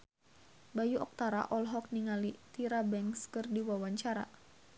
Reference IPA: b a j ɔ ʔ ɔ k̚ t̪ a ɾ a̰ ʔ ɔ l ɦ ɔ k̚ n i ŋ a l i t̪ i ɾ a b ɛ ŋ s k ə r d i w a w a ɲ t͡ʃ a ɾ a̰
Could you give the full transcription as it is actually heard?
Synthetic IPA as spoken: b a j u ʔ ɔ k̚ t̪ a ɾ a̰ ʔ ɔ l ɦ ɔ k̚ n i ŋ a l i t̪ i ɾ a b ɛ ŋ s k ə r d i w a w a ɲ t͡ʃ a ɾ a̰